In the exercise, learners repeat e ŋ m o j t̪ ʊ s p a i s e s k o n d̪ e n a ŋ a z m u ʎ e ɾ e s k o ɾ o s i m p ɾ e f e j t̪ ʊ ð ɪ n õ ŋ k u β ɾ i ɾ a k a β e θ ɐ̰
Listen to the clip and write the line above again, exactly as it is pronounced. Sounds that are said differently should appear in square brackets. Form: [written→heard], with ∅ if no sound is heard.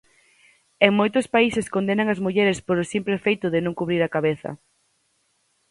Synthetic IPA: e ŋ m o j t̪ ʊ s p a i s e s k o n d̪ e n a ŋ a z m u ʎ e ɾ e s [k→p] o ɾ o s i m p ɾ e f e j t̪ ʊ ð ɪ n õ ŋ k u β ɾ i ɾ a k a β e θ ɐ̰